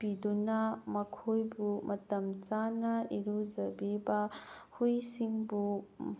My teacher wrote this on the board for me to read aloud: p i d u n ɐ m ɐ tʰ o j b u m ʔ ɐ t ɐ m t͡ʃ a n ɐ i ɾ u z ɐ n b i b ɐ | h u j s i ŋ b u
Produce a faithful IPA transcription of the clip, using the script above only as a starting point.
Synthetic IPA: p i d u n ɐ m ɐ kʰ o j b u m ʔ ɐ t ɐ m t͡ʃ a n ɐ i ɾ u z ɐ b i b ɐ | h u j s i ŋ b u